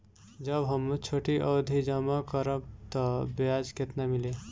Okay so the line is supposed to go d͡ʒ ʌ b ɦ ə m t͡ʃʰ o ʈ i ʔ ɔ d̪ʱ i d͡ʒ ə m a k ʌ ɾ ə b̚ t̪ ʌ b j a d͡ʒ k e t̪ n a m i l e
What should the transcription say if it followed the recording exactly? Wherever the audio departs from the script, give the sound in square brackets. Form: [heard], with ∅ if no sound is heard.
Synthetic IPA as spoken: d͡ʒ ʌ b ɦ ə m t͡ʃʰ o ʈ i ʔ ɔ d̪ʱ i d͡ʒ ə m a k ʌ ɾ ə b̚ t̪ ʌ b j a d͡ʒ k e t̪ n a m i l e